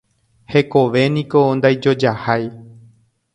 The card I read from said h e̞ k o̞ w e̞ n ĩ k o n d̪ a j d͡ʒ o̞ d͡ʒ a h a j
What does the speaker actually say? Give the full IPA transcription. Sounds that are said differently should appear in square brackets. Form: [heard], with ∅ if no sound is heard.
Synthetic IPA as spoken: h e̞ k o̞ [ʋ] e̞ n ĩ k o n d̪ a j d͡ʒ o̞ d͡ʒ a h a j